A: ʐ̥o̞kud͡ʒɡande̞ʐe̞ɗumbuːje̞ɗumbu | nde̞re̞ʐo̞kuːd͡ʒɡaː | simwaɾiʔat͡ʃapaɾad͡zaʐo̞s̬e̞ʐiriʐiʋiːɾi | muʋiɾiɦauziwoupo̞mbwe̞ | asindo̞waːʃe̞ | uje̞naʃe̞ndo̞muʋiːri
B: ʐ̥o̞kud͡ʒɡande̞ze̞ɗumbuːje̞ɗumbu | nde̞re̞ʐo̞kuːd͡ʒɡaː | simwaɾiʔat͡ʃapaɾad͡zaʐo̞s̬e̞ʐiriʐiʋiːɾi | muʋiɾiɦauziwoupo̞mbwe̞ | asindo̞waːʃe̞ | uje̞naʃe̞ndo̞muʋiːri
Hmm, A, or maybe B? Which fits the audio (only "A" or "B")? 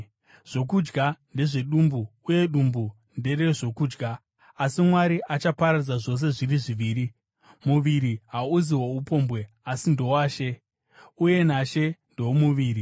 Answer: A